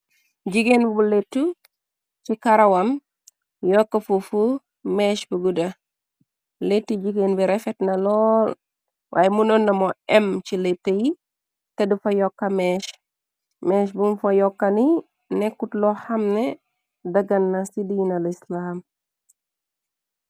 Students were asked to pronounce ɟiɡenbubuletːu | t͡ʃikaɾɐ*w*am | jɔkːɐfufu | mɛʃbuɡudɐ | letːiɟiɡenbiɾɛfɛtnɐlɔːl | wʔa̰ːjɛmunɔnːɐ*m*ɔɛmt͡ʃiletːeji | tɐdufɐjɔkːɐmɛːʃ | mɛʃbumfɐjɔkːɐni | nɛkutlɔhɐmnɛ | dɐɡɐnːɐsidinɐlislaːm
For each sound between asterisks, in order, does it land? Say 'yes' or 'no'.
yes, yes

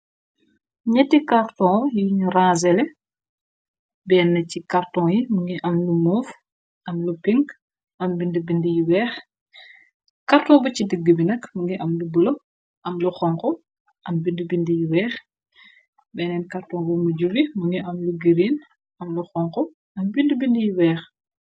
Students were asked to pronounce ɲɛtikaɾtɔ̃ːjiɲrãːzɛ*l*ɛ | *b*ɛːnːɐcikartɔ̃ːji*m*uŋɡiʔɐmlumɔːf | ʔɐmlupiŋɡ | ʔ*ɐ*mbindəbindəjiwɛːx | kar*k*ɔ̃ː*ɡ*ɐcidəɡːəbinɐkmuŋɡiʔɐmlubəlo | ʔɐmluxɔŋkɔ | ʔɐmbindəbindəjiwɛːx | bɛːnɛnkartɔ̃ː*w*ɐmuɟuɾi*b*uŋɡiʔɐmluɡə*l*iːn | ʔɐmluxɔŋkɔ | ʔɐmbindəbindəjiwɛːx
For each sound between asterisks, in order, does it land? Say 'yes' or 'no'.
yes, yes, yes, yes, no, no, no, no, no

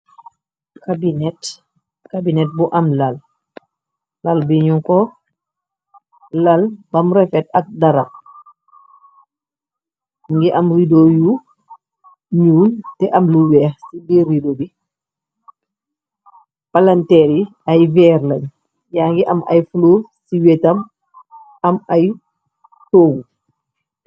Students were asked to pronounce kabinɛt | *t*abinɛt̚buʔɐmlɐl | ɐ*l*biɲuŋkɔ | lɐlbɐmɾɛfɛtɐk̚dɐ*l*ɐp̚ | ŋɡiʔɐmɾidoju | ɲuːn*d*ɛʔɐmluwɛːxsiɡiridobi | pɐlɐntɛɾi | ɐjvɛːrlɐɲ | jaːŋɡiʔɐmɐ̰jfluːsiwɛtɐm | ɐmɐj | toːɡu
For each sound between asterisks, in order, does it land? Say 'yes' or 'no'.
no, yes, no, no

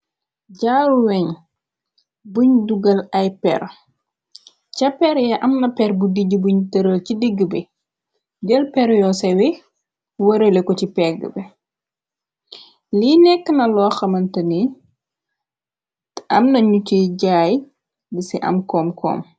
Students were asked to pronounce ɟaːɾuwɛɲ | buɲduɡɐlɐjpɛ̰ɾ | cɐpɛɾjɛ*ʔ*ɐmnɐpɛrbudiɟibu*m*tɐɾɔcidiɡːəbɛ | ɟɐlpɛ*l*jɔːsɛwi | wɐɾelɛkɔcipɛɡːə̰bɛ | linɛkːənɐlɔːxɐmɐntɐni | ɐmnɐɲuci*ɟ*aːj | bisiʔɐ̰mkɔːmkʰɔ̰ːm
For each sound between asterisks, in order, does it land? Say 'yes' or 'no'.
yes, no, no, yes

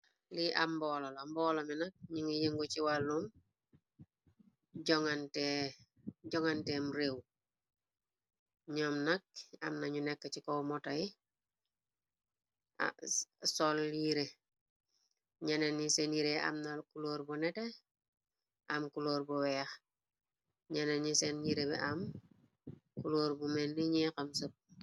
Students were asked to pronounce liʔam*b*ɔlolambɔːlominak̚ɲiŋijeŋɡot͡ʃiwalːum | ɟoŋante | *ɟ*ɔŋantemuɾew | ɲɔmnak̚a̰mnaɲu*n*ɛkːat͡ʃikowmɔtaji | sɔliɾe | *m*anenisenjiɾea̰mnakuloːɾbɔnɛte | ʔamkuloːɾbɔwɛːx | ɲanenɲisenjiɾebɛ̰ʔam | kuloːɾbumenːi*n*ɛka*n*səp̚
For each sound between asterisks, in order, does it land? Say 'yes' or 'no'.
yes, yes, yes, no, no, no

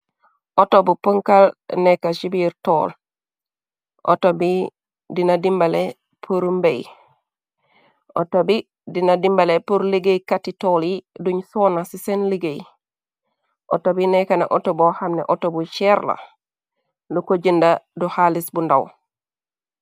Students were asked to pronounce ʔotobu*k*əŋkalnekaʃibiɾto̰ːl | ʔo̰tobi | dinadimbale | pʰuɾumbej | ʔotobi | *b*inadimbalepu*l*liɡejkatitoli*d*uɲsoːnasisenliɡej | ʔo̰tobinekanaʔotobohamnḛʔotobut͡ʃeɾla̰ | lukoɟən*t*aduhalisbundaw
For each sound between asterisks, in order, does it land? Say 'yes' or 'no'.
no, no, no, yes, no

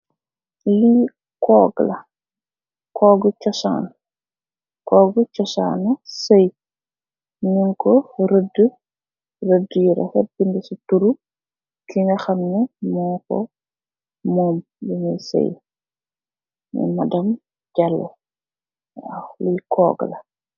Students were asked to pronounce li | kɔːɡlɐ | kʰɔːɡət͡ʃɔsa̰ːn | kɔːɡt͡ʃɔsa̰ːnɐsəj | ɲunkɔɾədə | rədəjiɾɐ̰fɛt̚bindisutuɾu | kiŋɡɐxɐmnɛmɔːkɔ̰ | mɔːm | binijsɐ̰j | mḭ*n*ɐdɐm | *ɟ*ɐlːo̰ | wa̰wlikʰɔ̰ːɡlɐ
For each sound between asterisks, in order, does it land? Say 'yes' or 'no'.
no, yes

